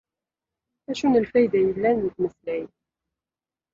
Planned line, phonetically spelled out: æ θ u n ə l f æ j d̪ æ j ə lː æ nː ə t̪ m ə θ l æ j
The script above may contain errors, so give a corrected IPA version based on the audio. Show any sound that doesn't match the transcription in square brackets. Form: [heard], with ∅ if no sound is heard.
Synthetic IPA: æ [ʃ] u n ə l f æ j d̪ æ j ə lː æ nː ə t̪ m ə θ l æ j